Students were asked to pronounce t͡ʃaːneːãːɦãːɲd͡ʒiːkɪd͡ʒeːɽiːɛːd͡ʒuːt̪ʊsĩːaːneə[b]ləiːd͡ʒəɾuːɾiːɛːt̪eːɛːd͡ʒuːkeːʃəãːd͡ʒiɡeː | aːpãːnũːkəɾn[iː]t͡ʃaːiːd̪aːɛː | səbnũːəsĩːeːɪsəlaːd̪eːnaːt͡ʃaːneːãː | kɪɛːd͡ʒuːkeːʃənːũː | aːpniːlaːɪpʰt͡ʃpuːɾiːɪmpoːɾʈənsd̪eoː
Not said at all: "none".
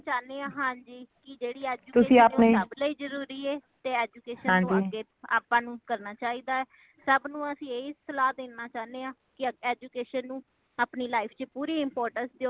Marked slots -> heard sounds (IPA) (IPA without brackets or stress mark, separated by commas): b, aː